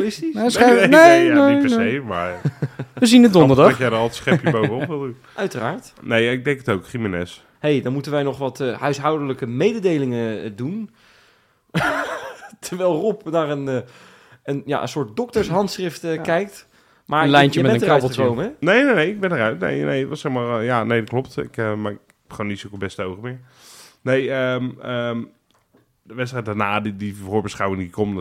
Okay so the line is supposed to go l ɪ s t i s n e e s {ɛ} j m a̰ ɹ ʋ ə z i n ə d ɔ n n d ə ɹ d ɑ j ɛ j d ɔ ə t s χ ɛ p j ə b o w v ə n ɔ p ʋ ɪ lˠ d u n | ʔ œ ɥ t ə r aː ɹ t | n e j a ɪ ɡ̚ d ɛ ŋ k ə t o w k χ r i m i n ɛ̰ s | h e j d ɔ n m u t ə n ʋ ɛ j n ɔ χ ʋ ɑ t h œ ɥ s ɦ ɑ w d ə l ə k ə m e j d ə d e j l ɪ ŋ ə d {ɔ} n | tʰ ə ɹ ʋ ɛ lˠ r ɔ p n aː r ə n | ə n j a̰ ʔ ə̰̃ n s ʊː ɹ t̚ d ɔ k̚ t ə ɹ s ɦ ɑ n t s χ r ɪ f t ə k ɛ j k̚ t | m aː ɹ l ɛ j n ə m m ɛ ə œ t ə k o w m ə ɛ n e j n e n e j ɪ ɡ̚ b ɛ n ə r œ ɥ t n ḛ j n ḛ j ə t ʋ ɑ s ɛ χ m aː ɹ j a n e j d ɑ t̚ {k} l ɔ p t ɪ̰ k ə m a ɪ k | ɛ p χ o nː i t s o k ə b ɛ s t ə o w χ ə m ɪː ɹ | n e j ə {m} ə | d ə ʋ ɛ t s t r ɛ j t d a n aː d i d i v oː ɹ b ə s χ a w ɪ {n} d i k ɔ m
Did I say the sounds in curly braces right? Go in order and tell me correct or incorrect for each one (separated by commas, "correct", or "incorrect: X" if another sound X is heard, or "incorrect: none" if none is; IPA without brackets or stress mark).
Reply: incorrect: e, incorrect: u, correct, correct, incorrect: ŋ